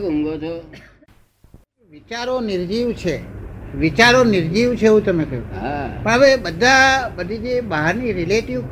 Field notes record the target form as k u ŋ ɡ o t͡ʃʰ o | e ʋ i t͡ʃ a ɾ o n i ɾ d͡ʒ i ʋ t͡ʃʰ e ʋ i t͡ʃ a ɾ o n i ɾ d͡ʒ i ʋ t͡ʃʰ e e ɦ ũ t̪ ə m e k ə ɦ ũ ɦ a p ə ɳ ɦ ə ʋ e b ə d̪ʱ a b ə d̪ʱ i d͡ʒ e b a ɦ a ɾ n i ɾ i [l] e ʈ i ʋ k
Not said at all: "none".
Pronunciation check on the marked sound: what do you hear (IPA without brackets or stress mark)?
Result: l